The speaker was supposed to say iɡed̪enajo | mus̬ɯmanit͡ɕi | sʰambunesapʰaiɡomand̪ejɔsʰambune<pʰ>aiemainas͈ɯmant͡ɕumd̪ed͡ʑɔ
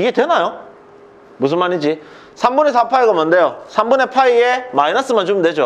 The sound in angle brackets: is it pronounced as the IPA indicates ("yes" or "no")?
yes